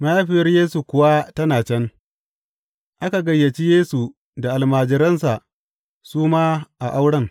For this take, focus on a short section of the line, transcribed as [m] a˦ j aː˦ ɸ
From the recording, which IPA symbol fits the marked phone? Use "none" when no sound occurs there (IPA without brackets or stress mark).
m